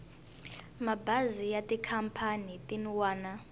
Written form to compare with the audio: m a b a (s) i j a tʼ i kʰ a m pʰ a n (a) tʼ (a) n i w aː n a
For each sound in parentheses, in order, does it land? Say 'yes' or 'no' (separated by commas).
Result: no, no, no